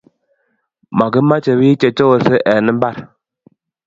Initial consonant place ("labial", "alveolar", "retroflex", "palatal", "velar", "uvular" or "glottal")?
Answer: labial